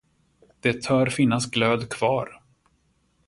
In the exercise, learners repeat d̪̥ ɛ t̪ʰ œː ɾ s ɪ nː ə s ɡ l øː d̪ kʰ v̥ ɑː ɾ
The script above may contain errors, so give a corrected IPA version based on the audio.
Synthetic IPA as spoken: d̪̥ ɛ t̪ʰ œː ɾ f ɪ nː a s ɡ l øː d̪ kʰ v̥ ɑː ɾ